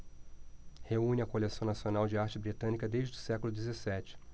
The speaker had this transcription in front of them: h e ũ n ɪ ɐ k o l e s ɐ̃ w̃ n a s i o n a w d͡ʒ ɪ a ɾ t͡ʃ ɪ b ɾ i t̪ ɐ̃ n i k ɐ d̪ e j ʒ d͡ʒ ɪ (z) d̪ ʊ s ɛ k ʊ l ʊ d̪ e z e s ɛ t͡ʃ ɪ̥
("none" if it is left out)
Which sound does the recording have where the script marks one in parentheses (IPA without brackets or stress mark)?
none